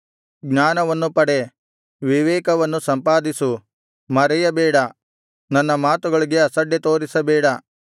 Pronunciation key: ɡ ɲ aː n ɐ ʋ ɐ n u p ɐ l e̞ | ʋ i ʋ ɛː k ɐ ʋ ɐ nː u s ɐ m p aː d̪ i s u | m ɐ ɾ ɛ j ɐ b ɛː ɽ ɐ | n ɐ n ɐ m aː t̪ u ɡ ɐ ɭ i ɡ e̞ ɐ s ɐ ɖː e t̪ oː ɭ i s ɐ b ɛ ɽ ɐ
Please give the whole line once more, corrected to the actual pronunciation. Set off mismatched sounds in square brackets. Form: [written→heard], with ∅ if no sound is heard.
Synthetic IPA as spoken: ɡ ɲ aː n ɐ ʋ ɐ [n→nː] u p ɐ [l→ɽ] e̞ | ʋ i ʋ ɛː k ɐ ʋ ɐ nː u s ɐ m p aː d̪ i s u | m ɐ ɾ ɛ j ɐ b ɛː ɽ ɐ | n ɐ [n→nː] ɐ m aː t̪ u ɡ ɐ ɭ i ɡ e̞ ɐ s ɐ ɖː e t̪ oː [ɭ→ɾ] i s ɐ b [ɛ→ɛː] ɽ ɐ